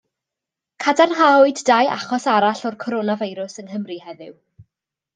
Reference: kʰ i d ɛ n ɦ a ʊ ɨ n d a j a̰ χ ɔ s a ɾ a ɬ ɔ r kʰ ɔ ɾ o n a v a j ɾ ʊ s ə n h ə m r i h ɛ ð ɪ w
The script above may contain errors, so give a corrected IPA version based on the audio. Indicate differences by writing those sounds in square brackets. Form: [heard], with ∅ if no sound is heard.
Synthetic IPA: kʰ [a] d [a] n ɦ a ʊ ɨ [d] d a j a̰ χ ɔ s a ɾ a ɬ ɔ r kʰ ɔ ɾ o n a v a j ɾ ʊ s ə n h ə m r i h ɛ ð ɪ w